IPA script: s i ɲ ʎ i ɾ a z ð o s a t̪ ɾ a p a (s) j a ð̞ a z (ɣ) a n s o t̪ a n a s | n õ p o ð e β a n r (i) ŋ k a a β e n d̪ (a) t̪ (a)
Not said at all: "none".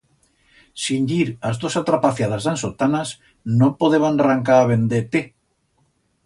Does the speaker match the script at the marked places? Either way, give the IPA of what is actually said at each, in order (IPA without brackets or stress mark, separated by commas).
θ, ð, a, e, e